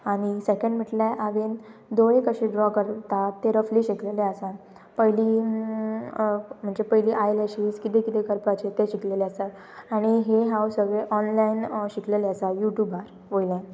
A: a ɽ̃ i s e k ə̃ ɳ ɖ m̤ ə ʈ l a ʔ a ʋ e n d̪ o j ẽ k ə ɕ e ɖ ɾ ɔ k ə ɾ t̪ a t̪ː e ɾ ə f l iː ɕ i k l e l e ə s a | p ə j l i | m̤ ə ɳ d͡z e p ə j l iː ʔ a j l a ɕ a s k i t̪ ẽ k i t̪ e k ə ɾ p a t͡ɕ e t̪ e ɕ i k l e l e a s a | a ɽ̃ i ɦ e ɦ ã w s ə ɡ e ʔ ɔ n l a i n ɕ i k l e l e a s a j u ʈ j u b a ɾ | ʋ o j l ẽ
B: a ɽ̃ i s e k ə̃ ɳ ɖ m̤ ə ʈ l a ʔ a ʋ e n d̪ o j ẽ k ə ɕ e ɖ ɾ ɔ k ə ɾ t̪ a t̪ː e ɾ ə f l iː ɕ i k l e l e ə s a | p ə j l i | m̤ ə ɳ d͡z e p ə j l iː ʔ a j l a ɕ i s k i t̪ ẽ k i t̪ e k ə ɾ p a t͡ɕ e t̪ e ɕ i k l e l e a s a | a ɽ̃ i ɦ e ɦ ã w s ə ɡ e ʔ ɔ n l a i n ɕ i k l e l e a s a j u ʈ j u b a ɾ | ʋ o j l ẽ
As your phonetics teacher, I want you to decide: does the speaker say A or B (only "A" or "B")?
B